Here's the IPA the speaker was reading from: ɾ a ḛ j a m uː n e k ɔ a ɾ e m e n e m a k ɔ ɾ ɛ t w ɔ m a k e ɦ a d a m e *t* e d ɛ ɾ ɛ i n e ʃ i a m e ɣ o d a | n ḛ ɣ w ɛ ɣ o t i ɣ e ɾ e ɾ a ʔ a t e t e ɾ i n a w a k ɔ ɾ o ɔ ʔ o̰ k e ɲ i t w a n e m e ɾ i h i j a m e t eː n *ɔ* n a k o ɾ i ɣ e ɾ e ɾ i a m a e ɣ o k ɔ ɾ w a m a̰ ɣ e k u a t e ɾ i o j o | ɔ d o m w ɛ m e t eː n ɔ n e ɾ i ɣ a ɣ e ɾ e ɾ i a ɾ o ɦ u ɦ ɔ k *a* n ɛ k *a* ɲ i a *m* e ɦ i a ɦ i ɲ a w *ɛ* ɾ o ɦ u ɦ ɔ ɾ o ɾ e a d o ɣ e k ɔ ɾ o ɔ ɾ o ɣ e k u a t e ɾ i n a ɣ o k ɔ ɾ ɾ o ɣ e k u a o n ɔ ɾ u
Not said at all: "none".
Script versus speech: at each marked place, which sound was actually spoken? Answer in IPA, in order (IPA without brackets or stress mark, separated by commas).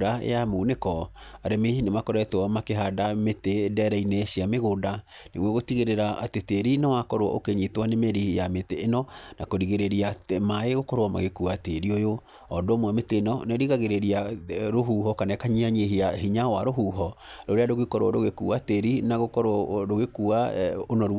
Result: t, ɔ, a, a, ɲ, a